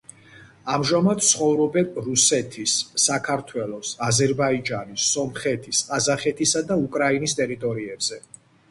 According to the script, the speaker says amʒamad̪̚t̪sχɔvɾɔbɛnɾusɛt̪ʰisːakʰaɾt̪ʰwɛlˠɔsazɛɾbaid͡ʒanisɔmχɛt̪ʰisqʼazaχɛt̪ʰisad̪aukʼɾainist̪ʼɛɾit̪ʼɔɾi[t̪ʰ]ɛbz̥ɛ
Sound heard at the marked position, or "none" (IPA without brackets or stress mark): none